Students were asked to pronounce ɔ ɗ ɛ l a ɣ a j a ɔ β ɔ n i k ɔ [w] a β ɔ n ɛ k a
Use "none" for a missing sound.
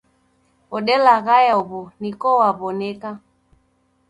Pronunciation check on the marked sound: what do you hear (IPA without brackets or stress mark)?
w